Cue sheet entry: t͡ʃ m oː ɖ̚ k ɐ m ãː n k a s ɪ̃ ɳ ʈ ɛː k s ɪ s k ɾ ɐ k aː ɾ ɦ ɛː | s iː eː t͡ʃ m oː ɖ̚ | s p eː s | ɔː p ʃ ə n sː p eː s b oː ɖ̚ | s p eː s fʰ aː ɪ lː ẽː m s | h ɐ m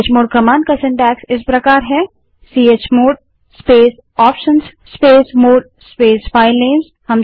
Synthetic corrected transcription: t͡ʃ m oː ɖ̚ k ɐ m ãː n k a s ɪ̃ ɳ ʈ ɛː k s ɪ s p ɾ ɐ k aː ɾ ɦ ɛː | s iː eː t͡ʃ m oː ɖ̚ | s p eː s | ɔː p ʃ ə n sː p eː s m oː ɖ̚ | s p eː s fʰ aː ɪ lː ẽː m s | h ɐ m